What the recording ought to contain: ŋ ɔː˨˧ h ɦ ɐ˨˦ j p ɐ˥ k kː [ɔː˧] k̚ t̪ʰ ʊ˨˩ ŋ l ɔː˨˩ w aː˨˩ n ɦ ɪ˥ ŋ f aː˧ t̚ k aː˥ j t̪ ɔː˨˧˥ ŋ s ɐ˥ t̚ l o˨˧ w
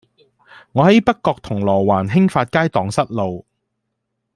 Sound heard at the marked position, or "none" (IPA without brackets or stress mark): ɔː˧